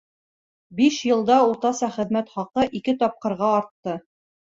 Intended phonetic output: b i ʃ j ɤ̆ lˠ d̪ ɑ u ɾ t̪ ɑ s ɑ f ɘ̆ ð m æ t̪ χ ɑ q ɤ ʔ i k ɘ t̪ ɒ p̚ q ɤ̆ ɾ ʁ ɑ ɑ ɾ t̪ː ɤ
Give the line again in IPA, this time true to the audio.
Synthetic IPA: b i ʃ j ɤ̆ lˠ d̪ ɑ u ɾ t̪ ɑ s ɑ χ ɘ̆ ð m æ t̪ χ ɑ q ɤ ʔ i k ɘ t̪ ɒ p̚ q ɤ̆ ɾ ʁ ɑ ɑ ɾ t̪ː ɤ

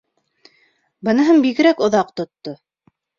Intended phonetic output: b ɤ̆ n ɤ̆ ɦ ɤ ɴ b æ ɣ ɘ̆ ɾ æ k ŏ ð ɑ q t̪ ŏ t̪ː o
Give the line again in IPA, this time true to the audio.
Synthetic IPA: b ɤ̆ n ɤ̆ ɦ ɤ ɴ b i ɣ ɘ̆ ɾ æ k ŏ ð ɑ q t̪ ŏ t̪ː o

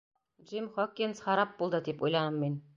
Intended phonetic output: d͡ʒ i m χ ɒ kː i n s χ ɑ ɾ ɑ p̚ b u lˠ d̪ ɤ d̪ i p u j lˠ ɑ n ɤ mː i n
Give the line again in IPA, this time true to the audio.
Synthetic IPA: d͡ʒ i m χ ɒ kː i n s χ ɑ ɾ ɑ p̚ b u lˠ d̪ ɤ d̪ i p u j lˠ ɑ n ɤ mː i n

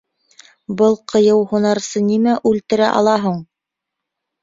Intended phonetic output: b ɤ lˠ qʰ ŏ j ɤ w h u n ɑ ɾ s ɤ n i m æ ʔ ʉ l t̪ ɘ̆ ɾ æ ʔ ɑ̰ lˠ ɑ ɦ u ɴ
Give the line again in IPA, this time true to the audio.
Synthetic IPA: b ɤ lˠ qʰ ɤ̆ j ɤ w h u n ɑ ɾ s ɤ n i m æ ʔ ʉ l t̪ ɘ̆ ɾ æ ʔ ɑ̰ lˠ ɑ ɦ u ɴ

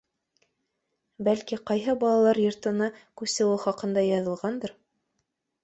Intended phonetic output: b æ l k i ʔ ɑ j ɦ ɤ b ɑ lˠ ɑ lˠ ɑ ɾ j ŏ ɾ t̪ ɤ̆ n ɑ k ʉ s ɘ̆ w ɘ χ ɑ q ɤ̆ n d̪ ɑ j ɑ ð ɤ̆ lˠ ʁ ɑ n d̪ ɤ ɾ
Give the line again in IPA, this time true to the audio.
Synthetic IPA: b æ l k i q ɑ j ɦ ɤ b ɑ lˠ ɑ lˠ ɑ ɾ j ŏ ɾ t̪ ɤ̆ n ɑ k ʉ s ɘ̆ w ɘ χ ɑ q ɤ̆ n d̪ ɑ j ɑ ð ɤ̆ lˠ ʁ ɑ n d̪ ɤ ɾ

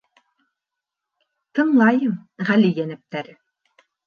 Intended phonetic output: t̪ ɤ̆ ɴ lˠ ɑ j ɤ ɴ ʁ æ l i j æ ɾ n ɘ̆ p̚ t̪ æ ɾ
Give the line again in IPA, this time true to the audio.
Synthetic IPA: t̪ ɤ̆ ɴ lˠ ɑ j ɤ m ʁ æ l i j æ n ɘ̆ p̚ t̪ æ ɾ

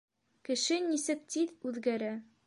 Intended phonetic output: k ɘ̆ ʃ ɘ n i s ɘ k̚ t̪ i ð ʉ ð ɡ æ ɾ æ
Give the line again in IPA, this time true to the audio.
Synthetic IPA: k ɘ̆ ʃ ɘ n i s ɘ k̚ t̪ i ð ʉ ð ɡ æ ɾ æ

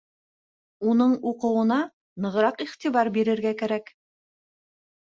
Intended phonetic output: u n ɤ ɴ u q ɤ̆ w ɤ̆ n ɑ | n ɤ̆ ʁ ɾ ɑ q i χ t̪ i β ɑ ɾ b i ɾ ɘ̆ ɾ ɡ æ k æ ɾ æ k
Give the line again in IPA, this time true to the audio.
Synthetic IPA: u n ɤ ɴ u q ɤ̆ w ɤ̆ n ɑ | n ɤ̆ ʁ ɾ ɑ q i χ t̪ i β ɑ ɾ b i ɾ ɘ̆ ɾ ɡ æ k æ ɾ æ k

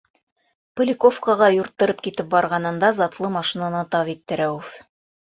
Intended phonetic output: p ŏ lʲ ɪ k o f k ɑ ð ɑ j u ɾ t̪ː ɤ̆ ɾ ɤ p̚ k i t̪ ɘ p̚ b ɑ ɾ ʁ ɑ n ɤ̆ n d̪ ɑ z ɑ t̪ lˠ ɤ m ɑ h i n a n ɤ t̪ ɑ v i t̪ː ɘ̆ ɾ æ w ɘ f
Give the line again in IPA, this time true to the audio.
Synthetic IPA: p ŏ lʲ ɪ k o f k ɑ ʁ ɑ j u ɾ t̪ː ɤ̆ ɾ ɤ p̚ k i t̪ ɘ p̚ b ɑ ɾ ʁ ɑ n ɤ̆ n d̪ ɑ z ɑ t̪ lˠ ɤ m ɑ ʃ i n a n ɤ t̪ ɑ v i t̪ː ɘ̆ ɾ æ w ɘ f

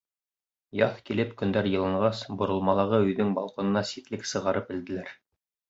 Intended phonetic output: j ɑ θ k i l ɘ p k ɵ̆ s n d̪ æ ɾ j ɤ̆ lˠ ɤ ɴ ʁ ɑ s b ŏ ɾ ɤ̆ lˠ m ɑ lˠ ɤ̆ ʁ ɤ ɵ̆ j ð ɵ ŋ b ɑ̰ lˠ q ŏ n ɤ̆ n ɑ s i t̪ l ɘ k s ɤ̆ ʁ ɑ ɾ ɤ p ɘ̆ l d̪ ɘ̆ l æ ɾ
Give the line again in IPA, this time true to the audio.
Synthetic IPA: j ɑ θ k i l ɘ p k ɵ̆ n d̪ æ ɾ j ɤ̆ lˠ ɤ ɴ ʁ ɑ s b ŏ ɾ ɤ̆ lˠ m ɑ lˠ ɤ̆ ʁ ɤ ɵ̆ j ð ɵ ŋ b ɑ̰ lˠ q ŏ n ɤ̆ n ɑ s i t̪ l ɘ k s ɤ̆ ʁ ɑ ɾ ɤ p ɘ̆ l d̪ ɘ̆ l æ ɾ

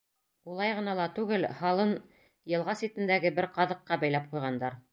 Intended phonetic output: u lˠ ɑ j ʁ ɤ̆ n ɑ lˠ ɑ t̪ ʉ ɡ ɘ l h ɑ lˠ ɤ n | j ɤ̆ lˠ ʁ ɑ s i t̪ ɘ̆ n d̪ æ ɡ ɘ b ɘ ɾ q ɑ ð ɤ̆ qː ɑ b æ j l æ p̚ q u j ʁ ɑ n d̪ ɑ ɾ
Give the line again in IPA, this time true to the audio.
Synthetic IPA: u lˠ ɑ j ʁ ɤ̆ n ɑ lˠ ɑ t̪ ʉ ɡ ɘ l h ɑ lˠ ɤ n | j ɤ̆ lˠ ʁ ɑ s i t̪ ɘ̆ n d̪ æ ɡ ɘ b ɘ ɾ q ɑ ð ɤ̆ qː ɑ b æ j l æ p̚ q u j ʁ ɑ n d̪ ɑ ɾ

